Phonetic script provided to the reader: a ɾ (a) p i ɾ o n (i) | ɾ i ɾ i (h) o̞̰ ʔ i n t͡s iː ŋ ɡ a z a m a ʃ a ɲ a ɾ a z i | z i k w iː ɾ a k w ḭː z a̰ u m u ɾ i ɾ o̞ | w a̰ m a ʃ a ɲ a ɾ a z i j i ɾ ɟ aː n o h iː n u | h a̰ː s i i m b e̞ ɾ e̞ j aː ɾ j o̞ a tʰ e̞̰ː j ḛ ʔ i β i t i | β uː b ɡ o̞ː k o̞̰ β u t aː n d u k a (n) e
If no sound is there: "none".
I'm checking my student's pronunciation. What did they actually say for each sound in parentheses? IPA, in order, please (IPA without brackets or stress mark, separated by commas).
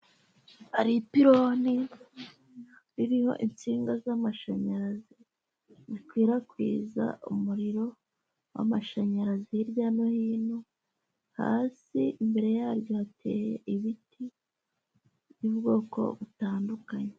i, i, h, ɲ